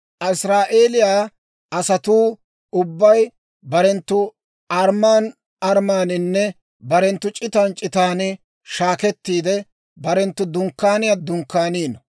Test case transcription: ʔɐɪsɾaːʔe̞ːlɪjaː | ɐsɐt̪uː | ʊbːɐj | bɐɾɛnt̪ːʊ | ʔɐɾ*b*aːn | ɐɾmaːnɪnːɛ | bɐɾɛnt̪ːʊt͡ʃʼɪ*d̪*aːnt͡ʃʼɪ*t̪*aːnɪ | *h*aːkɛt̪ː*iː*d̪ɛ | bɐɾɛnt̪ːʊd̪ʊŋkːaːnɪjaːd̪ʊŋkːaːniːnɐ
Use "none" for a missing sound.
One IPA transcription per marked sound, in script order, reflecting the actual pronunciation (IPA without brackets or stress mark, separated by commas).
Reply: m, t̪, t̪, ʃ, iː